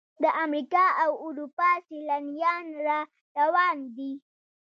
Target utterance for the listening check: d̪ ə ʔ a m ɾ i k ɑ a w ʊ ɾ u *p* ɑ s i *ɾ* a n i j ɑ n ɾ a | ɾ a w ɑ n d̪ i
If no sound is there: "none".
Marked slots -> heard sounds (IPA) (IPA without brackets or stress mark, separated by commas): p, l